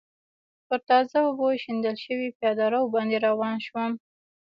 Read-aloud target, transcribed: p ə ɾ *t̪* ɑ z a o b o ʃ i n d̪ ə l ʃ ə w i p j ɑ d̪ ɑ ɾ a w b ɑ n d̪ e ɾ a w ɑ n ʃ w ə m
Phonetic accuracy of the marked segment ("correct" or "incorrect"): correct